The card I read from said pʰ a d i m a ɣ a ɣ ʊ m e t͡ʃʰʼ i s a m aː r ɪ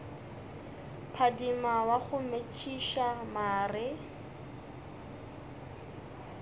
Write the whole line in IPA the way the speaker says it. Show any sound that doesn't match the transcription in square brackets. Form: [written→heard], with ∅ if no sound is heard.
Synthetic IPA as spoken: pʰ a d i m a [ɣ→w] a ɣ ʊ m e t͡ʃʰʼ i [s→ʃ] a m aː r ɪ